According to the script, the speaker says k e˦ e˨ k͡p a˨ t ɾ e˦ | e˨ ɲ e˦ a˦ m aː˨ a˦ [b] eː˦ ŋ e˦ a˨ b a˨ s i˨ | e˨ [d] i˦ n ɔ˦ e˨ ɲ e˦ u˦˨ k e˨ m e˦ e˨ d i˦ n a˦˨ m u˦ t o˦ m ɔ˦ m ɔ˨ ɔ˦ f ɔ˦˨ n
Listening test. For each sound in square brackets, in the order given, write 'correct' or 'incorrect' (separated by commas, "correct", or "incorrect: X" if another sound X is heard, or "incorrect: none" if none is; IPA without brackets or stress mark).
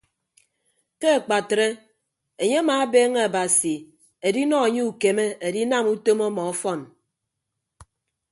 correct, correct